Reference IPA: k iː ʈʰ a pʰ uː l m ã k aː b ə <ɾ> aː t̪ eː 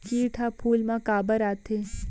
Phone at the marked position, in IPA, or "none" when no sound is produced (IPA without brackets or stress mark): ɾ